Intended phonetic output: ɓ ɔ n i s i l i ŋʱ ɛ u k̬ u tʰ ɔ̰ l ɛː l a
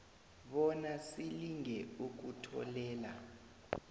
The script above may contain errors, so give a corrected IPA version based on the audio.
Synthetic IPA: ɓ ɔ n a s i l i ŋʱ ɛ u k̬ u tʰ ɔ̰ l ɛː l a